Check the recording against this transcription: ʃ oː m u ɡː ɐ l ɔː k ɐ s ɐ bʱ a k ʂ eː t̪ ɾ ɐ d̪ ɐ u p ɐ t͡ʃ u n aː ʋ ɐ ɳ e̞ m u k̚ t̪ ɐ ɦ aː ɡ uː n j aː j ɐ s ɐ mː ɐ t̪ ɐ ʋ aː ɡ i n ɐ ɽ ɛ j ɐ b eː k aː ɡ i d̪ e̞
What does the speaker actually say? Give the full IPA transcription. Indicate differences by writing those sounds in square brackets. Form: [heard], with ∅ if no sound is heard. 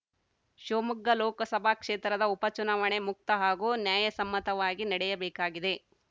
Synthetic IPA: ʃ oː m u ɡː ɐ l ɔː k ɐ s ɐ bʱ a k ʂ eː t̪ ɾ ɐ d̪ ɐ u p ɐ t͡ʃ u n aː ʋ ɐ ɳ e̞ m u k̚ t̪ ɐ ɦ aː ɡ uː n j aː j ɐ s ɐ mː ɐ t̪ ɐ ʋ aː ɡ i n ɐ ɽ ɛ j ɐ b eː k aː ɡ i d̪ e̞